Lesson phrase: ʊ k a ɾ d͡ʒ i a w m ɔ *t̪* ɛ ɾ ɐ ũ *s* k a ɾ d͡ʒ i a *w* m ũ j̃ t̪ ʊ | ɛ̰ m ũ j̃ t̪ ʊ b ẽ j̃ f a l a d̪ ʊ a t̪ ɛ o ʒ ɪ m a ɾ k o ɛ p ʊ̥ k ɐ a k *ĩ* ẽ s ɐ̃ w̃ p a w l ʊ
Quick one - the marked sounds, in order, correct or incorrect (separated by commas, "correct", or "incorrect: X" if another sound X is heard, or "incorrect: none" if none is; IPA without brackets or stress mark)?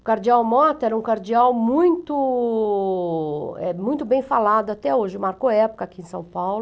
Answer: correct, incorrect: none, correct, incorrect: i